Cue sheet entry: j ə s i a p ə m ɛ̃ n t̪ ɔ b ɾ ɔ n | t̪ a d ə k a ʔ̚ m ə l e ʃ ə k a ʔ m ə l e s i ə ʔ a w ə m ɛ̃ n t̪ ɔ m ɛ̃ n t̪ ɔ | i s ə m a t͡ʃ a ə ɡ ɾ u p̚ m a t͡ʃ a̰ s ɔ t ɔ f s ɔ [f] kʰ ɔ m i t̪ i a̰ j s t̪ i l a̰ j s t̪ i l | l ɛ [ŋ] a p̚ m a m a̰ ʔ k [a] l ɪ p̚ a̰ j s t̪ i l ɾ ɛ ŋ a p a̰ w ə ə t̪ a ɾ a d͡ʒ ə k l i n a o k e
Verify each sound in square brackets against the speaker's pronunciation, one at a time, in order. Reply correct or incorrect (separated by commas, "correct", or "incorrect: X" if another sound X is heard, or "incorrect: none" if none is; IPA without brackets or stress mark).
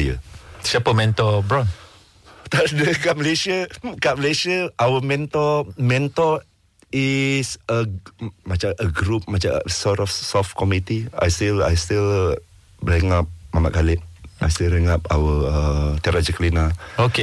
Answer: correct, correct, correct